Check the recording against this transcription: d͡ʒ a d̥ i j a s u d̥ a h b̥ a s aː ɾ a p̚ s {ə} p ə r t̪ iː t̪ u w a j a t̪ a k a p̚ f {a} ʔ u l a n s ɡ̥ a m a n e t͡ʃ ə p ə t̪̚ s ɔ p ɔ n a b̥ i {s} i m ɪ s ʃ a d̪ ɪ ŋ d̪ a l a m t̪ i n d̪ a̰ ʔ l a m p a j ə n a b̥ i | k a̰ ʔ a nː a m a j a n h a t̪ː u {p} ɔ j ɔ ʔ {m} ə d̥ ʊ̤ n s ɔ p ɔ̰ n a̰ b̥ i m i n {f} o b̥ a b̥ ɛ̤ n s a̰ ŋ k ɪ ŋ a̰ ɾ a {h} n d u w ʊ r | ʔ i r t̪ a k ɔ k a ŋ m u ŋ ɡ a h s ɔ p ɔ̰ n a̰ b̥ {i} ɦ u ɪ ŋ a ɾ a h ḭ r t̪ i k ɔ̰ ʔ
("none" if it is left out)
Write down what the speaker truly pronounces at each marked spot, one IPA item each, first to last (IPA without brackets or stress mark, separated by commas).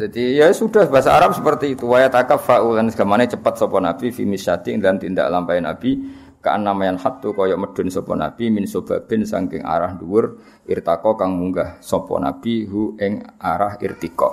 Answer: ə, a, f, k, m, s, h, i